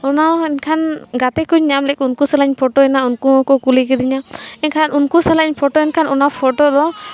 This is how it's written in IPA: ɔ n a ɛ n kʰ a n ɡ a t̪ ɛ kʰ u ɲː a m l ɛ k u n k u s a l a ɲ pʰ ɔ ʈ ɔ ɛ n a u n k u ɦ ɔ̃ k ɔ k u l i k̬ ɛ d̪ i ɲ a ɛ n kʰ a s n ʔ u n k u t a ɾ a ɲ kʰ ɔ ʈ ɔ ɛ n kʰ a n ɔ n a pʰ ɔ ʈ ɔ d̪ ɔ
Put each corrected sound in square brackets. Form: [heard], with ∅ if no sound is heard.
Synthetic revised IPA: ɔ n a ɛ n kʰ a n ɡ a t̪ ɛ [k] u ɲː a m l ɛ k u n k u s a l a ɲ pʰ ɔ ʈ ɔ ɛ n a u n k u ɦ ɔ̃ k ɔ k u l i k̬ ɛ d̪ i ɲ a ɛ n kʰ a [∅] n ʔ u n k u [s] a [l] a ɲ [pʰ] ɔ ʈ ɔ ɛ n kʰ a n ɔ n a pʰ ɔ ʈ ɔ d̪ ɔ